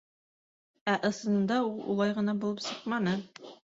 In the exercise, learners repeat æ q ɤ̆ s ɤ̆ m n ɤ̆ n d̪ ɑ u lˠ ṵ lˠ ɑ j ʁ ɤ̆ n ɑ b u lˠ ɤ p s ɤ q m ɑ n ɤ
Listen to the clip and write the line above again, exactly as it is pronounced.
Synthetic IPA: æ ʔ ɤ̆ s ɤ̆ n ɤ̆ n d̪ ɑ u lˠ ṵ lˠ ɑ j ʁ ɤ̆ n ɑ b u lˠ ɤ p s ɤ q m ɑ n ɤ